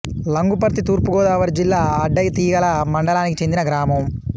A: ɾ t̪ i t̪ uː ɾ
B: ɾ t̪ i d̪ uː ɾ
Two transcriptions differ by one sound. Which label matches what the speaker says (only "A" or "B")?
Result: A